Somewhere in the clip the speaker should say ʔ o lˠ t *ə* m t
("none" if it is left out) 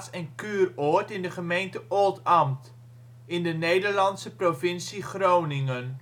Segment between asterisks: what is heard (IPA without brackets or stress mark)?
ɑ